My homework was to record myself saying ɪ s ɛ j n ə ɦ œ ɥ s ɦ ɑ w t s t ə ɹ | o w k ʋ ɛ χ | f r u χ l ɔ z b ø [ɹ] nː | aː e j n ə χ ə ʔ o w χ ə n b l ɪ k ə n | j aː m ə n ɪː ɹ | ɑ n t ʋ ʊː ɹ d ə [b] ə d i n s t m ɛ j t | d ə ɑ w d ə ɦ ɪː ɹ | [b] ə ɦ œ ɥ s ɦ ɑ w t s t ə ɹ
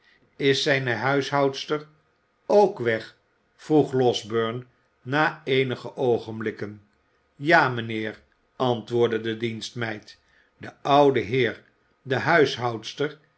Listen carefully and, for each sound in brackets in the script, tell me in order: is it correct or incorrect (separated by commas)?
correct, incorrect, incorrect